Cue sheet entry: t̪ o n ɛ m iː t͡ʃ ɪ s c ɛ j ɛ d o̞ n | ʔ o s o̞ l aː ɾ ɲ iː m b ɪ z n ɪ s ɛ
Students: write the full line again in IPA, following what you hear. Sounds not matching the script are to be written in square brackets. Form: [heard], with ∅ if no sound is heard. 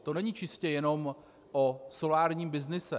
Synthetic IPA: t̪ o n ɛ [ɲ] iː t͡ʃ ɪ s c ɛ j ɛ [n] o̞ [m] | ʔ o s o̞ l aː ɾ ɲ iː m b ɪ z n ɪ s ɛ